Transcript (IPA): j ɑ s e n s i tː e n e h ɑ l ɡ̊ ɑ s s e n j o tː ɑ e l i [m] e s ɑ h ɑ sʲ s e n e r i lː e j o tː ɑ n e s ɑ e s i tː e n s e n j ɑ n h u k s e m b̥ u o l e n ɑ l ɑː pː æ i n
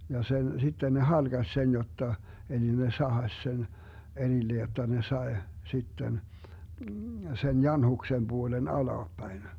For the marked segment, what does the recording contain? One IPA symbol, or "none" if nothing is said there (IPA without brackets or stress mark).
n